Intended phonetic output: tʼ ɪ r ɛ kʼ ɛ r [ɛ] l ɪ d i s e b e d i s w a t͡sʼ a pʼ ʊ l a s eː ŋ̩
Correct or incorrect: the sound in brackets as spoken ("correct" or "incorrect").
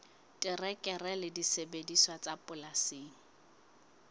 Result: correct